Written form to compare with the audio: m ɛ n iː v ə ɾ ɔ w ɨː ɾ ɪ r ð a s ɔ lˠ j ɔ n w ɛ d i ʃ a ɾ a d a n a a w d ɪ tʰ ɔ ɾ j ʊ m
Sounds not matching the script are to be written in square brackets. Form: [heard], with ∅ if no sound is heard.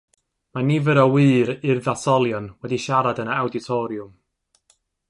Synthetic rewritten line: m [a] n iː v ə ɾ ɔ w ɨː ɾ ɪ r ð a s ɔ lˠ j ɔ n w ɛ d i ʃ a ɾ a d [ə] n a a w d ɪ tʰ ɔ ɾ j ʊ m